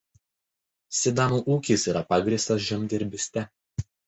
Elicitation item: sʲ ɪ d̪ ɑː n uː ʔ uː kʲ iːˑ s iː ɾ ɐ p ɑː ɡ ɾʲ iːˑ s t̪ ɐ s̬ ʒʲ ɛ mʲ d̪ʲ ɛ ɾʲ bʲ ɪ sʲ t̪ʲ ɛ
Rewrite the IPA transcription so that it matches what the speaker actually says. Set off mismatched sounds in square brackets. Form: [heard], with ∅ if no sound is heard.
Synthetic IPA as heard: sʲ ɪ d̪ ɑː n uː ʔ uː kʲ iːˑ s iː ɾ ɐ p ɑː ɡ ɾʲ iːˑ s t̪ ɐ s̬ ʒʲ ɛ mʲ d̪ʲ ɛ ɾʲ bʲ ɪ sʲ t̪ʲ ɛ